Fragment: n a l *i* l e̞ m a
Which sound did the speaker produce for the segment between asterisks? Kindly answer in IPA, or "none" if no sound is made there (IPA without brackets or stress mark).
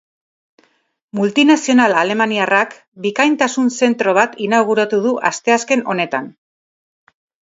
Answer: a